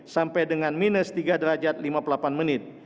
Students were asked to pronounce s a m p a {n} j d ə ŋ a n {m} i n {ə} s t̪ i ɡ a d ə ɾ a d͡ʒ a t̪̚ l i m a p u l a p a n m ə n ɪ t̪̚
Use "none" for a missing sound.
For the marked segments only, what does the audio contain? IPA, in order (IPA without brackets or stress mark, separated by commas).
none, m, ə